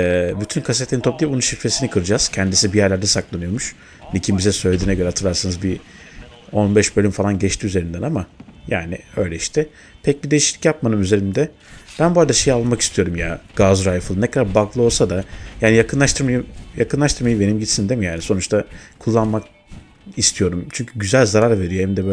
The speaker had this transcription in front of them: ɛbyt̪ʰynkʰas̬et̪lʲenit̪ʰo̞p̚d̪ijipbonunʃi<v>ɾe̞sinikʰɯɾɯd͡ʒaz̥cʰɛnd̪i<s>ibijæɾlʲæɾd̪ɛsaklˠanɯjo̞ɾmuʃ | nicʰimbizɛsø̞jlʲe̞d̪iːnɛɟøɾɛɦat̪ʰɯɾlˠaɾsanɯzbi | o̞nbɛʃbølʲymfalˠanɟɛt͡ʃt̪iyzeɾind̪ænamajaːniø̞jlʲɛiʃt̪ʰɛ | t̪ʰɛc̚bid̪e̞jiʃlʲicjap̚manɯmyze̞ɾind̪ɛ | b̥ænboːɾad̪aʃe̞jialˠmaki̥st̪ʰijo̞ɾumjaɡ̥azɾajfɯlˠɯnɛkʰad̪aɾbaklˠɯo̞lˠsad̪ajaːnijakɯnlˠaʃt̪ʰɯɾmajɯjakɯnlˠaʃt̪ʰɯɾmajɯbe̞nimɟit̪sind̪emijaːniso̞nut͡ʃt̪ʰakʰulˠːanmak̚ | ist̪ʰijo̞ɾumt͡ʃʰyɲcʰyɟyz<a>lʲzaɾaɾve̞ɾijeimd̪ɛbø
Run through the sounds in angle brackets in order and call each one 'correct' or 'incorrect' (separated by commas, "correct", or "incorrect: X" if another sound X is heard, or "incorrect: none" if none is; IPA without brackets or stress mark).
incorrect: f, correct, incorrect: æ